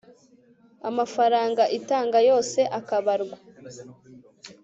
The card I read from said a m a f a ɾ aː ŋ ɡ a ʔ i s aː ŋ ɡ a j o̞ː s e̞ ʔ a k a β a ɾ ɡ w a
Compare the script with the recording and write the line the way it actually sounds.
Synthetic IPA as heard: a m a f a ɾ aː ŋ ɡ a ʔ i t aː ŋ ɡ a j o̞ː s e̞ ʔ a k a β a ɾ ɡ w a